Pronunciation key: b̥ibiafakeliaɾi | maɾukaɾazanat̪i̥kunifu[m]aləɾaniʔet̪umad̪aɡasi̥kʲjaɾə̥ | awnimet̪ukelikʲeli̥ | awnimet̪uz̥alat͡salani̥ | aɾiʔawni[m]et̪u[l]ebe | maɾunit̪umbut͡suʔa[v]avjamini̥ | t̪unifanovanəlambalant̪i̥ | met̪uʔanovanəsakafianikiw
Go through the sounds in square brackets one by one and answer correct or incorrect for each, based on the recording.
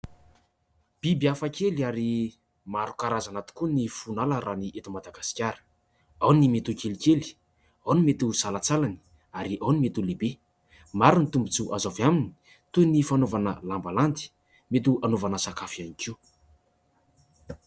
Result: incorrect: n, correct, correct, incorrect: z

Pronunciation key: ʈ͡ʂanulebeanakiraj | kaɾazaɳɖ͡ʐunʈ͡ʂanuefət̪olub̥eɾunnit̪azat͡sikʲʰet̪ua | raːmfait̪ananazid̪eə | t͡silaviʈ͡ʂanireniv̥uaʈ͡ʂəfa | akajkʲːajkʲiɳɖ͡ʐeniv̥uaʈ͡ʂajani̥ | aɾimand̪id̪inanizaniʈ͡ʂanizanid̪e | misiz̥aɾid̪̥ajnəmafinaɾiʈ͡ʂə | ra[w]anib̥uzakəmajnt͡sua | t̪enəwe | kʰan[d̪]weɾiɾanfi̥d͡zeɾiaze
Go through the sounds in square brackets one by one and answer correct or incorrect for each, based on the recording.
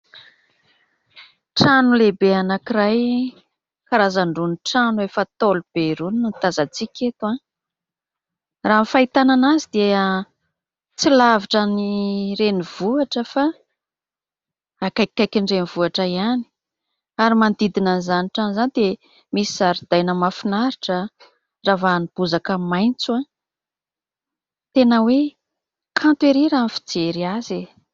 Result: incorrect: v, incorrect: t̪

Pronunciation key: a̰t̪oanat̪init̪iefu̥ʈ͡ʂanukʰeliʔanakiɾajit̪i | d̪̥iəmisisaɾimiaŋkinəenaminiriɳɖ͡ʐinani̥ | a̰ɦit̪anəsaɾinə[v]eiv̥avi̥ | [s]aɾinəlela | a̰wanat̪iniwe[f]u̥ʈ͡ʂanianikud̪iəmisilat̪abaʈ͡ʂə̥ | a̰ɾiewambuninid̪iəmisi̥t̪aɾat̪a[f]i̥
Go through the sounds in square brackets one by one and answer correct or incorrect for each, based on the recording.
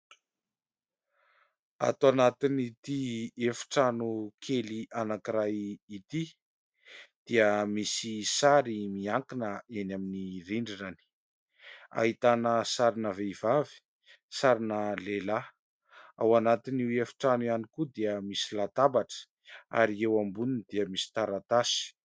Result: correct, correct, correct, incorrect: s

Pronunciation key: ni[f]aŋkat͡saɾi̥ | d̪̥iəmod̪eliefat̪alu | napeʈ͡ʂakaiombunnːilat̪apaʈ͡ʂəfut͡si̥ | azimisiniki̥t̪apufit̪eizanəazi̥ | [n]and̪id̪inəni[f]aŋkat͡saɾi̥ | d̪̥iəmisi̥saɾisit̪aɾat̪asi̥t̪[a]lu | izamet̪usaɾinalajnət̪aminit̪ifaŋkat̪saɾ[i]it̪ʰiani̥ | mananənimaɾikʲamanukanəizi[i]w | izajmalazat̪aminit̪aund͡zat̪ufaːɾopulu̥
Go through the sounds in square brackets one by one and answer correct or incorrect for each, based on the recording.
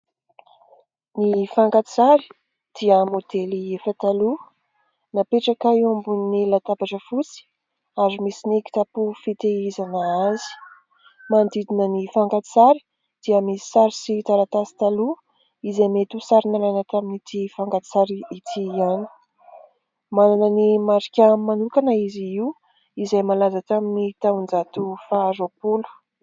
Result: correct, incorrect: m, correct, correct, correct, correct

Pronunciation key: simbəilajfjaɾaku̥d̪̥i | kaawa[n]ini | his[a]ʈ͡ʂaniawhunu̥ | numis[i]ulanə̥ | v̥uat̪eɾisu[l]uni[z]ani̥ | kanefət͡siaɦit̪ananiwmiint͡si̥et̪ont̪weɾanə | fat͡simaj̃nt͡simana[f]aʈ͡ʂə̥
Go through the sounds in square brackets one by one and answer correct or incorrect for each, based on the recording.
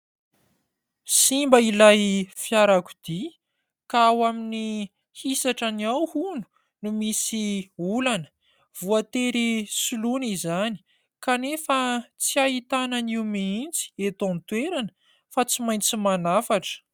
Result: incorrect: m, correct, correct, correct, correct, correct

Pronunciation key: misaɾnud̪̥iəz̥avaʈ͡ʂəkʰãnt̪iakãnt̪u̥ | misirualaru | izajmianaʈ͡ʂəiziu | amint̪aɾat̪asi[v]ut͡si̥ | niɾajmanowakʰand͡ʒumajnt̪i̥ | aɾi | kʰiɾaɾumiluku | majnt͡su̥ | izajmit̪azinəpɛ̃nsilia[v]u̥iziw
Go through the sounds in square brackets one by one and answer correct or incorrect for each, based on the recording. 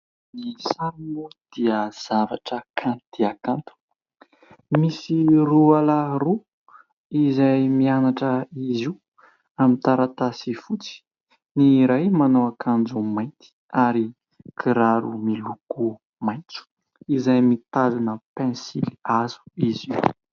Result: incorrect: f, incorrect: z

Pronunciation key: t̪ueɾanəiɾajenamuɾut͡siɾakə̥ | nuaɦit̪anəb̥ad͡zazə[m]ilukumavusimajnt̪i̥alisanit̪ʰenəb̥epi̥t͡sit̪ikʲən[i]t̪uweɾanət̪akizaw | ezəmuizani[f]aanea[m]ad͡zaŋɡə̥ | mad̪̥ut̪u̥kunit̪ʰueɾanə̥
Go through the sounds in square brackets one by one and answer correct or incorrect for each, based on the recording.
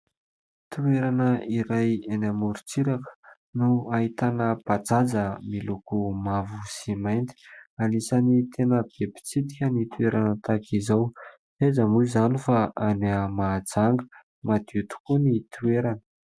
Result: correct, correct, correct, correct

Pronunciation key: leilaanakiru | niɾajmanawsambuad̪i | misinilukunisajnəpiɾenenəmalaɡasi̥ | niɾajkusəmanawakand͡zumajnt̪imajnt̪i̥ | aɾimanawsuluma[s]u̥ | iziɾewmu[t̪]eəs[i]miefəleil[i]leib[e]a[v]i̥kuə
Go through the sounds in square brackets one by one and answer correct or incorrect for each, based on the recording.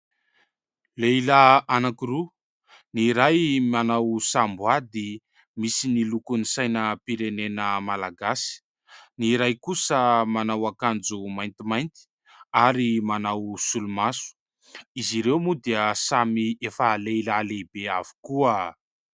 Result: correct, incorrect: d̪, incorrect: a, incorrect: a, correct, correct

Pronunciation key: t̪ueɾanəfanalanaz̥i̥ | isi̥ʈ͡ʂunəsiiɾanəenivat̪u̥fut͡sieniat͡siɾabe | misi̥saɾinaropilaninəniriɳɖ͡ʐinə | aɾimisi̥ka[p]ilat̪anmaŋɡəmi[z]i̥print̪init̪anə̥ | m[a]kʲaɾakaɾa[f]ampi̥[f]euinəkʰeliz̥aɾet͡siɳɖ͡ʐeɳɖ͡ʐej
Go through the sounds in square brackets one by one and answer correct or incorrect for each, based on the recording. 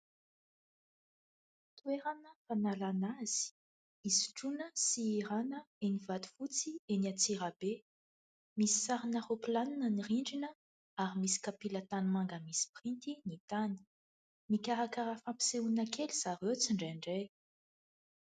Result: correct, incorrect: s, incorrect: i, correct, incorrect: s

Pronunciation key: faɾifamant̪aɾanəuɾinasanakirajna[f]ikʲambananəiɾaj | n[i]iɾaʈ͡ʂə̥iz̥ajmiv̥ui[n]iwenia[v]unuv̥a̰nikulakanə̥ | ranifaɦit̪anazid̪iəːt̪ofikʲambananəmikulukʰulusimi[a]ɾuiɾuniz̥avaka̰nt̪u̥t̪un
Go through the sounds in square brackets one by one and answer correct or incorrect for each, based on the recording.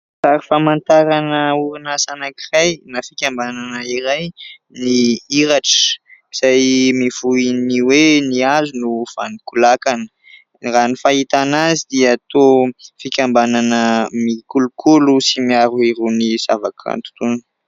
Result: correct, correct, correct, incorrect: z, correct

